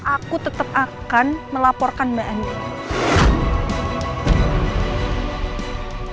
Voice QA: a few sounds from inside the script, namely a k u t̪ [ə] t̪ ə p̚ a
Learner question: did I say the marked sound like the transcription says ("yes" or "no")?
yes